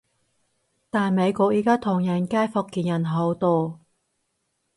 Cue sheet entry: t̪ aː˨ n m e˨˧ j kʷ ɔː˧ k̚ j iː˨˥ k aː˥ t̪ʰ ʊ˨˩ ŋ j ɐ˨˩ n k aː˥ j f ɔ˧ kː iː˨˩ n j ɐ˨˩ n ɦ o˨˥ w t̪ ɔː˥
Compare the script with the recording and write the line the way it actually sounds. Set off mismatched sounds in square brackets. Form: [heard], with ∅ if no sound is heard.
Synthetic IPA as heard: t̪ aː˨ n m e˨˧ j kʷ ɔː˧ k̚ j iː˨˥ k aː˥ t̪ʰ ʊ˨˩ ŋ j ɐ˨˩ n k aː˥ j f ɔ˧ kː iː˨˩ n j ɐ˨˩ n ɦ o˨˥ w t̪ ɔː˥